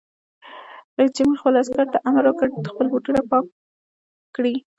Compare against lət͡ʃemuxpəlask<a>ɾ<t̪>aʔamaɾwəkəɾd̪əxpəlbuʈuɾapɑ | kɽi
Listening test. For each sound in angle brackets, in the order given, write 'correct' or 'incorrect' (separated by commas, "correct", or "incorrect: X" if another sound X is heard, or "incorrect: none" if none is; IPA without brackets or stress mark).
correct, correct